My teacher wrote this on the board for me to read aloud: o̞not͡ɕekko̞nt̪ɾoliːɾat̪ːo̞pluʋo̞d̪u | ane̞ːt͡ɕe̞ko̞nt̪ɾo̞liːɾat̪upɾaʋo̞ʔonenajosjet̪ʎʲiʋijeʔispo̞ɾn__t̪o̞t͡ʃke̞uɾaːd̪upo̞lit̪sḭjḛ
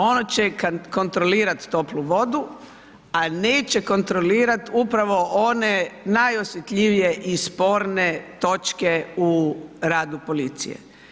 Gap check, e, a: e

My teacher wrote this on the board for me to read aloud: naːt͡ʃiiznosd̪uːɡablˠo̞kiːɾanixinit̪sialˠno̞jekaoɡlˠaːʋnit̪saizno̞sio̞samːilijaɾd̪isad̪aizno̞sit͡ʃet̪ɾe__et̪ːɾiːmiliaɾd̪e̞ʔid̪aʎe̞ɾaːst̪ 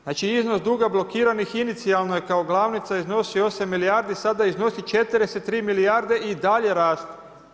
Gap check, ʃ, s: s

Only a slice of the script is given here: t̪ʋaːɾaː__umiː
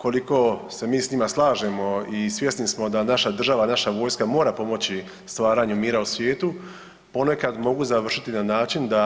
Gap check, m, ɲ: ɲ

